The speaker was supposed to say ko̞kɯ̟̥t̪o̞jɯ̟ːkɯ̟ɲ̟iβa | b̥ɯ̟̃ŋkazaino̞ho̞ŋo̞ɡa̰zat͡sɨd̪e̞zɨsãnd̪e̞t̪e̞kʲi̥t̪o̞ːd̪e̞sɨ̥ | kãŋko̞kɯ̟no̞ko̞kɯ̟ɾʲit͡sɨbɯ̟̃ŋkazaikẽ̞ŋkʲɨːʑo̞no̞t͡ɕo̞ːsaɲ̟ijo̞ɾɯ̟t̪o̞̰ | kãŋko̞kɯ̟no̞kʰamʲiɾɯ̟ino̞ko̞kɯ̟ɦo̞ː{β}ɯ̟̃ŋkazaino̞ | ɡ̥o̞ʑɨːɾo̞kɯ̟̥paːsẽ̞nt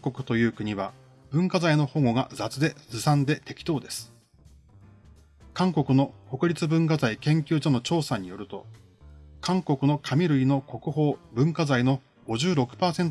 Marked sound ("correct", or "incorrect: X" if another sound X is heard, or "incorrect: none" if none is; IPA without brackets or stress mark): incorrect: b